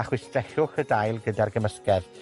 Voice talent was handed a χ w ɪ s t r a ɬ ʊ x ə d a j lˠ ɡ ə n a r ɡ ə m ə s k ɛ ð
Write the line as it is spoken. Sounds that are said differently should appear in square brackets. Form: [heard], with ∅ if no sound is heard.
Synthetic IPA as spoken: a χ w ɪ s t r [ɛ] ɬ ʊ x ə d a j lˠ ɡ ə [d] a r ɡ ə m ə s k ɛ ð